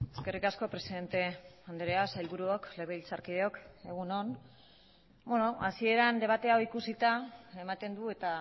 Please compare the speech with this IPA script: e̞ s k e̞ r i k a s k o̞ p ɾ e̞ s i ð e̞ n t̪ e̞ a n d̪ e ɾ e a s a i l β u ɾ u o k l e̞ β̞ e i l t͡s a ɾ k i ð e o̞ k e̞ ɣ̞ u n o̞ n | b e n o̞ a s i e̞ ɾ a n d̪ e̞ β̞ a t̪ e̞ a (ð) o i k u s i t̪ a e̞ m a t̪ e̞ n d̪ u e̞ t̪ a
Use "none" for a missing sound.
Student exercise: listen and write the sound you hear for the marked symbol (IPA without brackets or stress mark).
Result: none